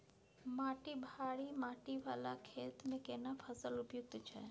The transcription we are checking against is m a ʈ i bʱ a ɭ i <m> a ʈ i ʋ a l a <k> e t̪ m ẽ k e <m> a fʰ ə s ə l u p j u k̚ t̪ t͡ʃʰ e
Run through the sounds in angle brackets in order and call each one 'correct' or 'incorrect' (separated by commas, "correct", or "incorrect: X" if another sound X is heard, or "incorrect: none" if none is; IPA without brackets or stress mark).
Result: correct, incorrect: kʰ, incorrect: n